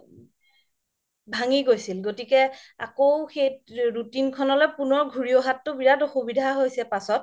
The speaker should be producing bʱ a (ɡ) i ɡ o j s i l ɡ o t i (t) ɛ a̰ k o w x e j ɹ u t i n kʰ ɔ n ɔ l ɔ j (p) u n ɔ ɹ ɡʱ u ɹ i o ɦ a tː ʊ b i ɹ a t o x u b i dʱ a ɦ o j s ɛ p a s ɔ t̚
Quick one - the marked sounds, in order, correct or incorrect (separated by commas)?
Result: incorrect, incorrect, correct